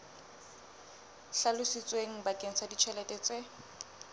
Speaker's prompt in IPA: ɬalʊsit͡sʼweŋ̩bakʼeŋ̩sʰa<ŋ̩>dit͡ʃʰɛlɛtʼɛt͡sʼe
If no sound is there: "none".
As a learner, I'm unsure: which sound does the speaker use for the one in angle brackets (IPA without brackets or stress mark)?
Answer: none